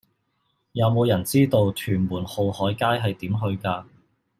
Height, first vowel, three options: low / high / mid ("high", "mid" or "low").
low